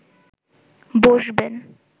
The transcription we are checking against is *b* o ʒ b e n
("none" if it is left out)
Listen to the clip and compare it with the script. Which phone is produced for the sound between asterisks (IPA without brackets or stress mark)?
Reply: b